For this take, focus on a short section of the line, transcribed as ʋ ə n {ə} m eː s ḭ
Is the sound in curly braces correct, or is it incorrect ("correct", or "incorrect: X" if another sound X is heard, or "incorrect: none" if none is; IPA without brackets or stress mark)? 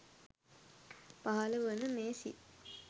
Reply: correct